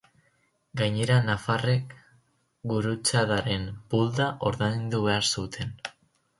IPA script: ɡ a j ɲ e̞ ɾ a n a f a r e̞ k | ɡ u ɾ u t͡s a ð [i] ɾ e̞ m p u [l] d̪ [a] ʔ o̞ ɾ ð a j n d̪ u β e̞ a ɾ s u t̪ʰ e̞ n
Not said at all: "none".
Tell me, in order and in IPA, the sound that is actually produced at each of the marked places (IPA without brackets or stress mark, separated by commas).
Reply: a, l, a